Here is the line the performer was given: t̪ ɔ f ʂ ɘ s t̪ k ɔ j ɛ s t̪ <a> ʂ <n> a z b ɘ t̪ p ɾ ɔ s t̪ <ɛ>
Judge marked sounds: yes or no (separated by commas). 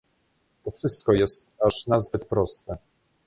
yes, yes, yes